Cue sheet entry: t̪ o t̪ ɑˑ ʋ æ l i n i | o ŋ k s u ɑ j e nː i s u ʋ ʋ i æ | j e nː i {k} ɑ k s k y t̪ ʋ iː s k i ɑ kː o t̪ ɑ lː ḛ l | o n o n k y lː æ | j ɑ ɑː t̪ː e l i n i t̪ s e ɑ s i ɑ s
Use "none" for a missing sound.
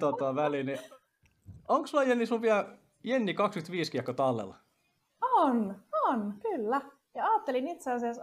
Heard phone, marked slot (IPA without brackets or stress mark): k